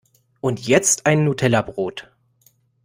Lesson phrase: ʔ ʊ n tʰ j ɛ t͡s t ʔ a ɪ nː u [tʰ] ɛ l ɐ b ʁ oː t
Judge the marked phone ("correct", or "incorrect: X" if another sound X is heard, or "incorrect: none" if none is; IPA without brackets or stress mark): correct